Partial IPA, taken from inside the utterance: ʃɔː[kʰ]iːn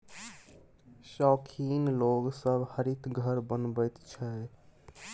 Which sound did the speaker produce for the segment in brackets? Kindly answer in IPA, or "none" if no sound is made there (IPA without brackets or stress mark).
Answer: kʰ